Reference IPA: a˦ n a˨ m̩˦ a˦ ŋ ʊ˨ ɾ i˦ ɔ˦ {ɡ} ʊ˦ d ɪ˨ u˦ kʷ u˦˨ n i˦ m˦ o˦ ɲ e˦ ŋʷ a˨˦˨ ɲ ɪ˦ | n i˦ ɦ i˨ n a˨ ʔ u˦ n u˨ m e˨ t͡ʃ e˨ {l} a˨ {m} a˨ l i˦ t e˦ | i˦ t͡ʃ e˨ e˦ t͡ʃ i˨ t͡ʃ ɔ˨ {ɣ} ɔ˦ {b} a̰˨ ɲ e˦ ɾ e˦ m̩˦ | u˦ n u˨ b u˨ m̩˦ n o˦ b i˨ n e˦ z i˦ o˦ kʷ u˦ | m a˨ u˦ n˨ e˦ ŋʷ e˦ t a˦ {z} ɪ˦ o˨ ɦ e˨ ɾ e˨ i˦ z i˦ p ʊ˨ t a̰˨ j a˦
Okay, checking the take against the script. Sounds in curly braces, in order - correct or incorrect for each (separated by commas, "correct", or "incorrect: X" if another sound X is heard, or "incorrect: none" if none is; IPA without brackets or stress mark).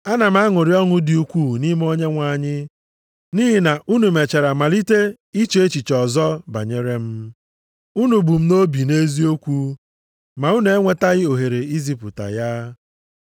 incorrect: ŋ, incorrect: ɾ, correct, incorrect: z, correct, incorrect: ɣ